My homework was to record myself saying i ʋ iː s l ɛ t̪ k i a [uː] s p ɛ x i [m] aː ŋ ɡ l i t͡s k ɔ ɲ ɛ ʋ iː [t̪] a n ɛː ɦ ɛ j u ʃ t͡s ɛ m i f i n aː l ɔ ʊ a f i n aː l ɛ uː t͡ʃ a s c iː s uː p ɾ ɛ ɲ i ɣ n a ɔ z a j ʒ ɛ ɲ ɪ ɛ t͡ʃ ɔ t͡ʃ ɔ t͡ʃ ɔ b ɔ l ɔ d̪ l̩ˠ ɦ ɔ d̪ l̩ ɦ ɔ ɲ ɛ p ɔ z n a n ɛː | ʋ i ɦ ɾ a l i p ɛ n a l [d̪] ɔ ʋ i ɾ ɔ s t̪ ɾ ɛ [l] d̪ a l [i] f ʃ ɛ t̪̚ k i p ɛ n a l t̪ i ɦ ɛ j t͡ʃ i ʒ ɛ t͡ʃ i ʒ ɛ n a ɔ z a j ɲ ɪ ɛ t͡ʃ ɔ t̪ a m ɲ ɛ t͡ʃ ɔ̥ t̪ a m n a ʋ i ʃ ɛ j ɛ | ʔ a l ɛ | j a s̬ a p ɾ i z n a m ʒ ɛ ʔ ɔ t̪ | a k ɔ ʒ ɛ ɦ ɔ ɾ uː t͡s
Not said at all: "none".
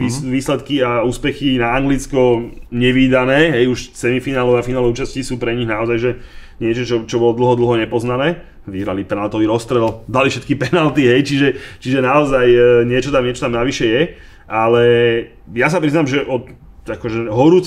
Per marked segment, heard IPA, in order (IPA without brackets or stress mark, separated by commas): uː, n, d̪, t̪, l, i